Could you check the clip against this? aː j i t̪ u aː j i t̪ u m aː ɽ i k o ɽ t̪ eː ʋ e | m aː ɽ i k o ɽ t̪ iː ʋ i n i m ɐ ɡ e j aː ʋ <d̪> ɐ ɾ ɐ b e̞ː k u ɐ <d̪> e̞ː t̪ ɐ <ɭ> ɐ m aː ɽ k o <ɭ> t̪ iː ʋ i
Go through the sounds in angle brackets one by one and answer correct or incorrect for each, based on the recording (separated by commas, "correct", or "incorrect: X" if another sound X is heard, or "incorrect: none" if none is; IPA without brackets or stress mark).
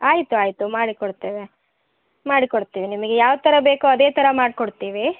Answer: incorrect: t̪, correct, incorrect: ɾ, incorrect: ɽ